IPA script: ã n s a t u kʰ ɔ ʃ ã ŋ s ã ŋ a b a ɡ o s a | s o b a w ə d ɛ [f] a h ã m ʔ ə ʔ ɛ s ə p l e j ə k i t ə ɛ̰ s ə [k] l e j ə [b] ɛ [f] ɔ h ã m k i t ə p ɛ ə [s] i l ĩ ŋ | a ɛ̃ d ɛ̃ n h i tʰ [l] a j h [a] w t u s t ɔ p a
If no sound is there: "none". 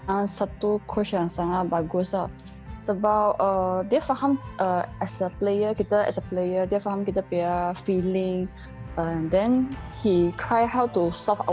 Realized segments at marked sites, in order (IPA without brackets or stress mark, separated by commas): f, p, d, f, f, ɹ, a